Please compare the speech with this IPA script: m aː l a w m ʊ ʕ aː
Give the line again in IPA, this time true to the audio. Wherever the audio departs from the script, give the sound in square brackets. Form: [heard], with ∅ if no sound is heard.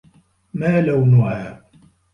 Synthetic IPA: m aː l a w [n] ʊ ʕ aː